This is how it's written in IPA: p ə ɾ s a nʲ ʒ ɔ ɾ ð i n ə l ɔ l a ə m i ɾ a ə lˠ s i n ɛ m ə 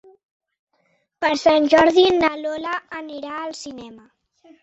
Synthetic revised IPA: p ə ɾ s a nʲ ʒ ɔ ɾ ð i n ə l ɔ l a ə n i ɾ a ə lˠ s i n ɛ m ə